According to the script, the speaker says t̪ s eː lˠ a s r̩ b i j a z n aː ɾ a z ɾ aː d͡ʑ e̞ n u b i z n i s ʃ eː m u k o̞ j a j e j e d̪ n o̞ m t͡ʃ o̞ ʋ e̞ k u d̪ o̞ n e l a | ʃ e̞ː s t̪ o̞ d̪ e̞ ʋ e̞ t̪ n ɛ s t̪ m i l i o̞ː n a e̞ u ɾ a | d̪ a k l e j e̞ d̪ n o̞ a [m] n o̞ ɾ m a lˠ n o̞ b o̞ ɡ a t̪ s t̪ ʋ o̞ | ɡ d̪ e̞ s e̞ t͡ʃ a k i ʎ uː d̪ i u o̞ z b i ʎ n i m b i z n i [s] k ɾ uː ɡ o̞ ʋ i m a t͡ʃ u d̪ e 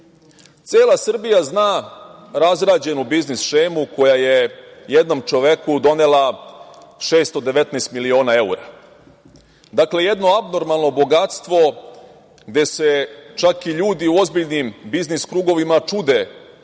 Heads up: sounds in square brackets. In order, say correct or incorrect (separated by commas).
incorrect, correct